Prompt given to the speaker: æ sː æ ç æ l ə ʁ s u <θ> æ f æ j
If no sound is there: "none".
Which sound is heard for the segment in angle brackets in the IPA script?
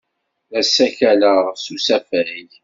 s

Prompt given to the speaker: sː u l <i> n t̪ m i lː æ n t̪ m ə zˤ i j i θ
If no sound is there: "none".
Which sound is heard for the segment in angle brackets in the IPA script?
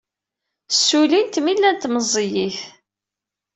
i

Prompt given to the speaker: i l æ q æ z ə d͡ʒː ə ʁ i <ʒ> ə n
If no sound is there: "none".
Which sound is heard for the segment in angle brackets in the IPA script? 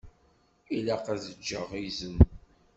z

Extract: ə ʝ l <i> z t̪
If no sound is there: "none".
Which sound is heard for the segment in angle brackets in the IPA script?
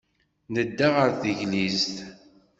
i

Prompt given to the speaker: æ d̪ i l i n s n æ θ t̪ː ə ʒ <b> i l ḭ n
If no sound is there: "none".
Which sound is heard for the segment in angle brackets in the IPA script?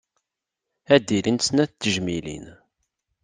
m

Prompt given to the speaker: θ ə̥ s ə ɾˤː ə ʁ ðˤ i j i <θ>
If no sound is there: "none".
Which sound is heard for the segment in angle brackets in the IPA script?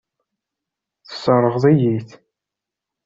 θ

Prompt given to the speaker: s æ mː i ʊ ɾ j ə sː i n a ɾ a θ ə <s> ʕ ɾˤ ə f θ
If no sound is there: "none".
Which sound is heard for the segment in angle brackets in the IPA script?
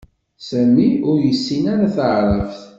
none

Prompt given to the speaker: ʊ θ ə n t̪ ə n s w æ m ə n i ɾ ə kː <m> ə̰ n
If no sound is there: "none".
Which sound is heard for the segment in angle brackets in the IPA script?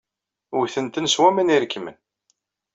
m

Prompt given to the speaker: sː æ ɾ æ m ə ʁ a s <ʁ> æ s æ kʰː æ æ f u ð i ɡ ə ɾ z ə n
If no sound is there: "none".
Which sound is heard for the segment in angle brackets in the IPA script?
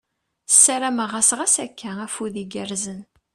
ʁ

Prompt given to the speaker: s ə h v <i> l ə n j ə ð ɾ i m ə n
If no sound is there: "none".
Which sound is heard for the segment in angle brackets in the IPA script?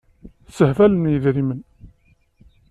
æ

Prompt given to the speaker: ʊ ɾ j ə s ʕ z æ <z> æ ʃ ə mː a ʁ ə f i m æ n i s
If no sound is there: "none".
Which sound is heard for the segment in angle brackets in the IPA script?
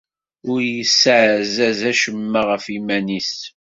z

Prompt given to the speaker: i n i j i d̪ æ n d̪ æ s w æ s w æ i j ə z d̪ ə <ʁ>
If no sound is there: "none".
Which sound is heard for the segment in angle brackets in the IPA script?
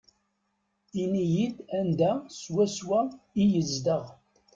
ʁ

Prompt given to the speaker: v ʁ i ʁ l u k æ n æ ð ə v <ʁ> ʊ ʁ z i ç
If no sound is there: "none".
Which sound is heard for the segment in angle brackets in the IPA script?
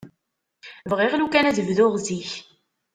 ð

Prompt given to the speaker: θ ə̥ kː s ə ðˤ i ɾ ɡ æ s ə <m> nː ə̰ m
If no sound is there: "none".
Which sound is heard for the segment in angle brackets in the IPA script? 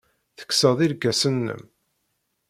none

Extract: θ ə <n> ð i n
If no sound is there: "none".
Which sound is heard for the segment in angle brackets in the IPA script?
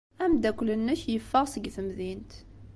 m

